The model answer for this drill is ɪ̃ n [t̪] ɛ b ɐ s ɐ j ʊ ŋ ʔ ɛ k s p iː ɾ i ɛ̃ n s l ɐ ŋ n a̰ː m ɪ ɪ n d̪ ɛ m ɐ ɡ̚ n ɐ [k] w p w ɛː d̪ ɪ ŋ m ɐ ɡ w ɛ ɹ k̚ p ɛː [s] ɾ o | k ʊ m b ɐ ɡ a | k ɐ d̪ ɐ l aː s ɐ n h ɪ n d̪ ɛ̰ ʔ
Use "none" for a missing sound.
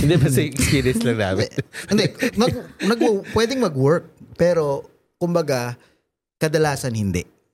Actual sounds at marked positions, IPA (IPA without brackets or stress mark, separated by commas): d̪, ɡ, none